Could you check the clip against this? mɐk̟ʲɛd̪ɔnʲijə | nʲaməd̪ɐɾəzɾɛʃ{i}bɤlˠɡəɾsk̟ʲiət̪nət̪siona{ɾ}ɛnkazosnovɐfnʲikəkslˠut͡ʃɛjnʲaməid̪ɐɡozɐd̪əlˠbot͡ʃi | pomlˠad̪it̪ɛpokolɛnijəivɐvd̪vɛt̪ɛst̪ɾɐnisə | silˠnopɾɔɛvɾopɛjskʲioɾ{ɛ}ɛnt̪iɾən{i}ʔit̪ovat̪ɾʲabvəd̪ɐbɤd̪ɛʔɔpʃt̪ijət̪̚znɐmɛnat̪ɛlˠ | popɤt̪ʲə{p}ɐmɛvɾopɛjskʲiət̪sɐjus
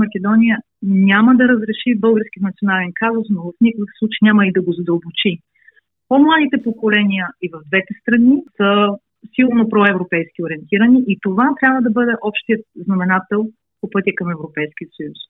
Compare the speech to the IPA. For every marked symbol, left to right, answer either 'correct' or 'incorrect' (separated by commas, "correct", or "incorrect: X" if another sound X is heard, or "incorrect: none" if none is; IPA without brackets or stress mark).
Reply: correct, incorrect: l, incorrect: i, correct, incorrect: k